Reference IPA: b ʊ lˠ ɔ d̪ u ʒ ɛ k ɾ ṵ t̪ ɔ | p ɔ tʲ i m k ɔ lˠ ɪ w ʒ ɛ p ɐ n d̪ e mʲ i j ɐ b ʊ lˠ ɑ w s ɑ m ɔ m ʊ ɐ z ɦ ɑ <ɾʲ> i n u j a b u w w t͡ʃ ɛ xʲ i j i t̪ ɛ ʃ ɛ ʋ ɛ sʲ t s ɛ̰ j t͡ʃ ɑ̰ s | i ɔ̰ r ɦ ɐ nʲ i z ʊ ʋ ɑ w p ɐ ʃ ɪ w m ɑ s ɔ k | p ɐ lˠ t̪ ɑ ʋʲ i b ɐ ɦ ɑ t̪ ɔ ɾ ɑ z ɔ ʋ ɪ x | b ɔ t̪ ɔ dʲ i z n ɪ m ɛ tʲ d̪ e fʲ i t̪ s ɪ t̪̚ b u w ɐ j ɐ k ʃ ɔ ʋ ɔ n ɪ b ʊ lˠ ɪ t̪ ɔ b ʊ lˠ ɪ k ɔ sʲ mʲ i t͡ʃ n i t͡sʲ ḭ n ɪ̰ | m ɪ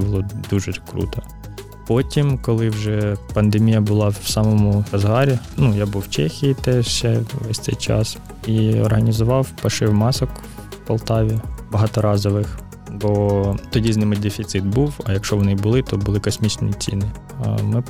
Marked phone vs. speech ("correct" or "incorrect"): correct